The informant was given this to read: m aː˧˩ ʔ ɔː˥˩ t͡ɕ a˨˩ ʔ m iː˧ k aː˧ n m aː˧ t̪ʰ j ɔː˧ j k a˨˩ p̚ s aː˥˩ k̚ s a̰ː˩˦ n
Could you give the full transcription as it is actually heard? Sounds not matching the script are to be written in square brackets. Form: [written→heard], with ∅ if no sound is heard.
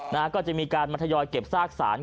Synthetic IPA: [m→n] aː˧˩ [ʔ→k] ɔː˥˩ t͡ɕ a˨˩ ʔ m iː˧ k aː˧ n m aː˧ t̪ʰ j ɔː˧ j k [a˨˩→e˨˩] p̚ s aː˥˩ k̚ s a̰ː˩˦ n